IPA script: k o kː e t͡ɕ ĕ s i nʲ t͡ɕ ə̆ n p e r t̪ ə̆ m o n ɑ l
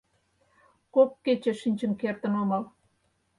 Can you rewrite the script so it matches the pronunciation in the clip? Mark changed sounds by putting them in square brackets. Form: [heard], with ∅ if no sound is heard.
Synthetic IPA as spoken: k o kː e t͡ɕ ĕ [ʃ] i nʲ t͡ɕ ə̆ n [k] e r t̪ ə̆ [n] o [m] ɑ l